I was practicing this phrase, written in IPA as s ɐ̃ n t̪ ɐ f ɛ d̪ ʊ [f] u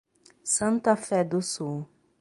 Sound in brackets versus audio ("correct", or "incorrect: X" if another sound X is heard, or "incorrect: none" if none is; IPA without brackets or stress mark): incorrect: s